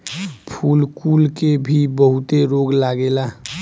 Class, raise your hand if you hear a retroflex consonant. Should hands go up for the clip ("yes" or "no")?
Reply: no